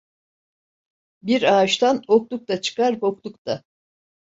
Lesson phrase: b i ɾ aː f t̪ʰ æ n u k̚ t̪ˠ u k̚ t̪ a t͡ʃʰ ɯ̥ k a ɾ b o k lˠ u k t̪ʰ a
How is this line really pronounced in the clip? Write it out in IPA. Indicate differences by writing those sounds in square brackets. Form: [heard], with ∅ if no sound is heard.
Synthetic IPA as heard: b i ɾ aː [ʃ] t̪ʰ [a] n [o] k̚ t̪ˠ u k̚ t̪ a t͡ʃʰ ɯ̥ k a ɾ b o k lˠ u k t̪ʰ a